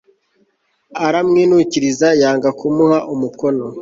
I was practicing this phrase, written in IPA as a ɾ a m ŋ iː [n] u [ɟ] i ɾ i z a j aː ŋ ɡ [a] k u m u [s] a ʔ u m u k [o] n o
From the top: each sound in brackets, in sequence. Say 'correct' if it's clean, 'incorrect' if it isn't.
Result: correct, incorrect: c, correct, incorrect: h, correct

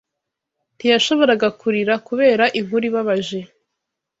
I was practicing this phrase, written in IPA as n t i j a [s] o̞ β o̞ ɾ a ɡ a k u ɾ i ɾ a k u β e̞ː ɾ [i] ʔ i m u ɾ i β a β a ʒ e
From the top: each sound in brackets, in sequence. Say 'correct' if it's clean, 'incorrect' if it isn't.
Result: incorrect: ʃ, incorrect: a

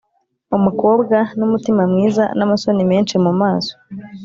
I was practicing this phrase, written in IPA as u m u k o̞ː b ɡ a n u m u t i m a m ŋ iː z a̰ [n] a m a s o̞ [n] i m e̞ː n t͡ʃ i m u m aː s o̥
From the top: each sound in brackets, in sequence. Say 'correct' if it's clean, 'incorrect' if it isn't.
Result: correct, correct

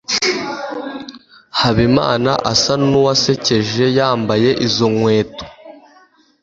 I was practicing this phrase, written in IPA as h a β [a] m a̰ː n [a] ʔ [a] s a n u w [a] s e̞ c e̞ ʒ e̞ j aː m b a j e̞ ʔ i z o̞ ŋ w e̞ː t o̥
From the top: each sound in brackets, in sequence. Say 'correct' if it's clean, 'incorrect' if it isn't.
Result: incorrect: i, correct, correct, correct

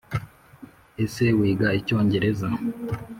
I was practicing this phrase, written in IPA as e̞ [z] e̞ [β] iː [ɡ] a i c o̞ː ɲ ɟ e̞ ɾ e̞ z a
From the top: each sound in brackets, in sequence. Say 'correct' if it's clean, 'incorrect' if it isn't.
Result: incorrect: s, incorrect: w, correct

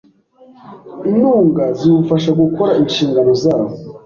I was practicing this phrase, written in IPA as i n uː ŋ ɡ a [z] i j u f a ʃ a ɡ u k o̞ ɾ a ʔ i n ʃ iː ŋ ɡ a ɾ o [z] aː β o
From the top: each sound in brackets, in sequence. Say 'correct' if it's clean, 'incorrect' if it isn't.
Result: correct, correct

